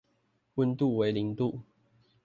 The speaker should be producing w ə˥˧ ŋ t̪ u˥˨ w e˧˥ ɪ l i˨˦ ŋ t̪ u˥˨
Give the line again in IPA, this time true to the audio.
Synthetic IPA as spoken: w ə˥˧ n t̪ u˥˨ w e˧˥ ɪ l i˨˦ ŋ t̪ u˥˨